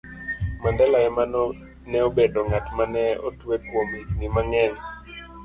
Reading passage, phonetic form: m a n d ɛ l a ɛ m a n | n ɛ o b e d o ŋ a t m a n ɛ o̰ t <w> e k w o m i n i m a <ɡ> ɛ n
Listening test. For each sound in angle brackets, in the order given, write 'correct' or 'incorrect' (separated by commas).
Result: correct, incorrect